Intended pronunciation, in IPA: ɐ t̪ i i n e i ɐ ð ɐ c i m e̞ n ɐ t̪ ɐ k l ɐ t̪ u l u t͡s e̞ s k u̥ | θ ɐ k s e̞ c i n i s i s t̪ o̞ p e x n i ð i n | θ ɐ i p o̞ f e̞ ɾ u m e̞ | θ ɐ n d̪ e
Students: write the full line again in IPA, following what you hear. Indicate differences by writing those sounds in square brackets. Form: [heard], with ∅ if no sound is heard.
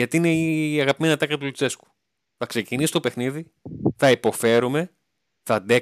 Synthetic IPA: ɐ t̪ i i n e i ɐ [ɣ] ɐ [p] i m e̞ n ɐ t̪ ɐ k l ɐ t̪ u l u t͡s e̞ s k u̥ | θ ɐ k s e̞ c i n i s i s t̪ o̞ p e x n i ð i [∅] | θ ɐ i p o̞ f e̞ ɾ u m e̞ | θ ɐ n d̪ e